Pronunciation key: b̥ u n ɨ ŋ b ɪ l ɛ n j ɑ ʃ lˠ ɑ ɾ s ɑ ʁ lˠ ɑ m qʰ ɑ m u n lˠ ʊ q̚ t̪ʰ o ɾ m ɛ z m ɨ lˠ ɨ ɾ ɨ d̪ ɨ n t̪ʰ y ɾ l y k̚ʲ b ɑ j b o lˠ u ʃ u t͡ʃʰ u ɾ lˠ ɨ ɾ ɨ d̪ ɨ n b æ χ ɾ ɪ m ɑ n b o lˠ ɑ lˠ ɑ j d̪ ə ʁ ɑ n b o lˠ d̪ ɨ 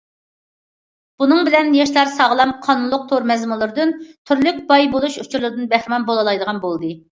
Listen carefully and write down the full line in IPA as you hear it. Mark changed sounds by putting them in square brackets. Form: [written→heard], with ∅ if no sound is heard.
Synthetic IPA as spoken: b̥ u n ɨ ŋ b ɪ l ɛ n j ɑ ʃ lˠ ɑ ɾ s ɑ ʁ lˠ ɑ m qʰ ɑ [m→n] u n lˠ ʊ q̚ t̪ʰ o ɾ m ɛ z m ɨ lˠ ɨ ɾ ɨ d̪ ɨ n t̪ʰ y ɾ l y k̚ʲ b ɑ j b o lˠ u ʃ u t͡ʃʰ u ɾ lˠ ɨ ɾ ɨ d̪ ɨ n b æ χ ɾ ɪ m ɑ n b o lˠ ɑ lˠ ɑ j d̪ ə ʁ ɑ n b o lˠ d̪ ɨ